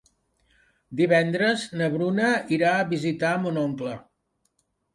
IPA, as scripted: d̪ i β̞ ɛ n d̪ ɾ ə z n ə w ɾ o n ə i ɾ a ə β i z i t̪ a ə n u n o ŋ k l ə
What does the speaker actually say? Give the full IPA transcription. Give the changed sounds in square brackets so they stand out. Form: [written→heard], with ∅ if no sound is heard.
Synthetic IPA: d̪ i β̞ ɛ n d̪ ɾ ə z n ə [w→β] ɾ [o→u] n ə i ɾ a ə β i z i t̪ a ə [n→m] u n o ŋ k l ə